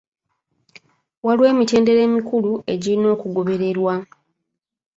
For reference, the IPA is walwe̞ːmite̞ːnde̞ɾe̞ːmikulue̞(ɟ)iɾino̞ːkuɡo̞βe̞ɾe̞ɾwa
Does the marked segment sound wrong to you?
no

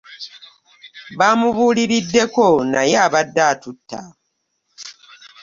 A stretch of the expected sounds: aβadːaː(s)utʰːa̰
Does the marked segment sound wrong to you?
yes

